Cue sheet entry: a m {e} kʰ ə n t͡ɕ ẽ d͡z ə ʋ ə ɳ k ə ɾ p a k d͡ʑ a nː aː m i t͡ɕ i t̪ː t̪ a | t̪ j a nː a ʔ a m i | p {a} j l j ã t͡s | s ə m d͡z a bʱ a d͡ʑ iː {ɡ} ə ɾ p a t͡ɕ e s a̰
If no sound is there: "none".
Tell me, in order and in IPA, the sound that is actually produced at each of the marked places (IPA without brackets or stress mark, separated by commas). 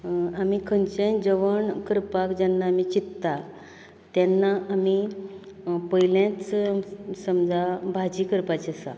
i, ə, k